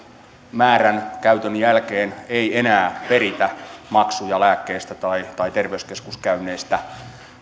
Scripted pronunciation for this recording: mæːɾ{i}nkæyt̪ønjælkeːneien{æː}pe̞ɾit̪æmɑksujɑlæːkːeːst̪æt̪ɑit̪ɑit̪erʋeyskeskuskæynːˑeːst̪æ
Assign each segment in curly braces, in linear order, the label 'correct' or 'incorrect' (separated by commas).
incorrect, correct